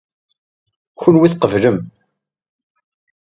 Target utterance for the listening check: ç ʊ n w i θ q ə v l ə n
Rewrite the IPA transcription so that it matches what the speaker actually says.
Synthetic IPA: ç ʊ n w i θ q ə v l ə m